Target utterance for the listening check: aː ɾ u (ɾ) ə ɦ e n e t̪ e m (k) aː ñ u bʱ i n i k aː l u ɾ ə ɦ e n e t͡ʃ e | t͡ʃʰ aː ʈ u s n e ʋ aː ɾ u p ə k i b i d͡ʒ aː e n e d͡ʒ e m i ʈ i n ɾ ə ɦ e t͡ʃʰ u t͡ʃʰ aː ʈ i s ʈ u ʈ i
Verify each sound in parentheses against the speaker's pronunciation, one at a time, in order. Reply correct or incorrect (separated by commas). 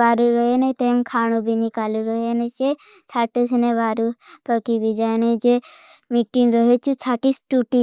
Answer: correct, incorrect